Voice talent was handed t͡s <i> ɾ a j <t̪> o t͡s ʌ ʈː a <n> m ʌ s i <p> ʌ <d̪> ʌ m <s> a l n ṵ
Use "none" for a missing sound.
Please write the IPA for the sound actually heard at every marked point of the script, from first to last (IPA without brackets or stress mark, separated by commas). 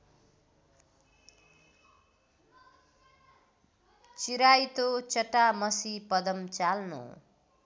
i, t̪, none, p, d̪, t͡s